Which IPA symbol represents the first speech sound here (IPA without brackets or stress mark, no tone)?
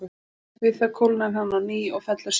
v